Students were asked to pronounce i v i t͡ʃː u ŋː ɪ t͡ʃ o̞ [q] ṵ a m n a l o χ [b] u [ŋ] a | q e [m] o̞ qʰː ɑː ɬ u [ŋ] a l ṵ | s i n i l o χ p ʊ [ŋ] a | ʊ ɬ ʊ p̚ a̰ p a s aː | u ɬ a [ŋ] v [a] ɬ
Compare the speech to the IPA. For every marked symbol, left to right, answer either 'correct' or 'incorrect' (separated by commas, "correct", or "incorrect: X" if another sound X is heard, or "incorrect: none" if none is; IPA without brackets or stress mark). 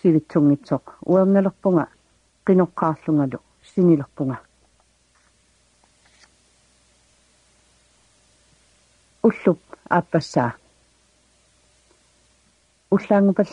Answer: correct, incorrect: p, correct, incorrect: n, correct, correct, correct, correct